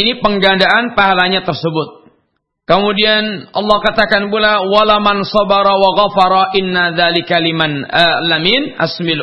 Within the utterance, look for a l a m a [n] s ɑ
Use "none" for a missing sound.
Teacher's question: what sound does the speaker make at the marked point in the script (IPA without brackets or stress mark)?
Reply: n